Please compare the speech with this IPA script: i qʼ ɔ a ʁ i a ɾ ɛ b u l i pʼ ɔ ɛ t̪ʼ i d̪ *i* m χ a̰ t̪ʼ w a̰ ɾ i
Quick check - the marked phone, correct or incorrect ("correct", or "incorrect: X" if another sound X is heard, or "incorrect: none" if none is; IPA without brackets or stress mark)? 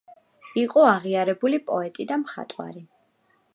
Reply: incorrect: a